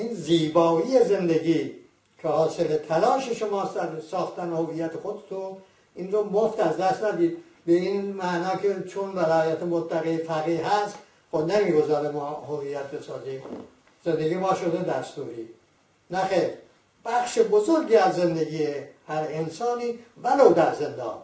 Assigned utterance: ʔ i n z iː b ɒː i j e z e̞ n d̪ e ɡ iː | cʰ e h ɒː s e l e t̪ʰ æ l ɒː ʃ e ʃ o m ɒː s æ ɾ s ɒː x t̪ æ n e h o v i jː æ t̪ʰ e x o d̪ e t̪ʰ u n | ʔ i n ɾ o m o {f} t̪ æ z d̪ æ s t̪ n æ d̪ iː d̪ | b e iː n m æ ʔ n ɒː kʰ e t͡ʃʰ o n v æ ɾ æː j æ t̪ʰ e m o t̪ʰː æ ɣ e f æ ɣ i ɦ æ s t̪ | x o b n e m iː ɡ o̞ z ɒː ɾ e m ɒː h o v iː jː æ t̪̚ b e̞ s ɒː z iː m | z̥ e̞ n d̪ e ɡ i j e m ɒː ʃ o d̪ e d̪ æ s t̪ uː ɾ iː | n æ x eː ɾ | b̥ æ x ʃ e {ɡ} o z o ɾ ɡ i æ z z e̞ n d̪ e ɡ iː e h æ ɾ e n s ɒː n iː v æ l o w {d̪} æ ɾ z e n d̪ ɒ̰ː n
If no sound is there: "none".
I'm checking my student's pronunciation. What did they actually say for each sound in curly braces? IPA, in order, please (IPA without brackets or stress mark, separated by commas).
f, b, d̪